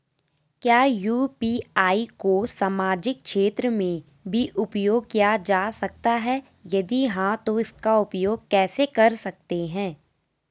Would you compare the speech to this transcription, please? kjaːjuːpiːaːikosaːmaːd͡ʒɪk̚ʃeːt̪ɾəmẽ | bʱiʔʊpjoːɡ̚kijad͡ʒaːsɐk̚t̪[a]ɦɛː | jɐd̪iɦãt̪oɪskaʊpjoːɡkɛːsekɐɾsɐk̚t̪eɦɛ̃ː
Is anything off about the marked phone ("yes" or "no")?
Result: no